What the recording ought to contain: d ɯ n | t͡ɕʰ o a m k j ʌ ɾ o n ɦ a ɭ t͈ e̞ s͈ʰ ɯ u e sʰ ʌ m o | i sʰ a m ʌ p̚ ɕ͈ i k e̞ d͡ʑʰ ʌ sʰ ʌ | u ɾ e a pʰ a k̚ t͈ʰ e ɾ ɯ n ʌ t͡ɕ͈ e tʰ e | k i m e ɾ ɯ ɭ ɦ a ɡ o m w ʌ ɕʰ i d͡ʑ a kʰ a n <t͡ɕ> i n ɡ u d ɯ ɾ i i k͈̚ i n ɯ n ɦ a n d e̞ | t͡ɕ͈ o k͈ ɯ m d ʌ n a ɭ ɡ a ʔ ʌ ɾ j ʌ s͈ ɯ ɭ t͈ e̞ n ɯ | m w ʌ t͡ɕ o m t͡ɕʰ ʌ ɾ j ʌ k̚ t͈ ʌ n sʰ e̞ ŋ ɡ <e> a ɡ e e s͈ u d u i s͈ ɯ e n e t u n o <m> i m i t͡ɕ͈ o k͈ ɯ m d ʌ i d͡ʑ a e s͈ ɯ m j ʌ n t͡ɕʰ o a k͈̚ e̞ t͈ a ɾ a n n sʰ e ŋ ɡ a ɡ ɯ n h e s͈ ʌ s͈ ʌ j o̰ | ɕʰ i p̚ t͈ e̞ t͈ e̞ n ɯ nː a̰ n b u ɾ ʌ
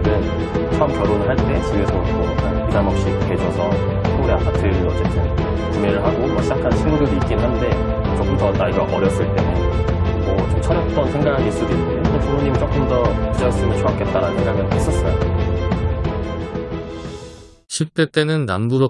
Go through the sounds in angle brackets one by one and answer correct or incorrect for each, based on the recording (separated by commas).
incorrect, incorrect, incorrect